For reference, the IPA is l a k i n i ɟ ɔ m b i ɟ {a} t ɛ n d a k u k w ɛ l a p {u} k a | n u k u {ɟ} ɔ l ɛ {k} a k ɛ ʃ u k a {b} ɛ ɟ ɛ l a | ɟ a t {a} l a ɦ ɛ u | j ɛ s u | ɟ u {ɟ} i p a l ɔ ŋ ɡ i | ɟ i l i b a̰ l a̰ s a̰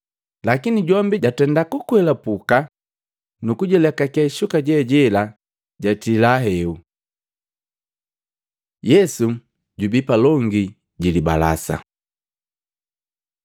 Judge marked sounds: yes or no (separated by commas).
yes, yes, yes, yes, no, no, no